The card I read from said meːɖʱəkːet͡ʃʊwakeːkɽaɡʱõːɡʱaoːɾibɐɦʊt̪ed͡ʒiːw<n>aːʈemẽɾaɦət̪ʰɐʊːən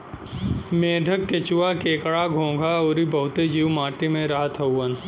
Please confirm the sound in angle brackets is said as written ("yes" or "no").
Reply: no